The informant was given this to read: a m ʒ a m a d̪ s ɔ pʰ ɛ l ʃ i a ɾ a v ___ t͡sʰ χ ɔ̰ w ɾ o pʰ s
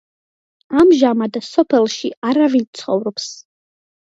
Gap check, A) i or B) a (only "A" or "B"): A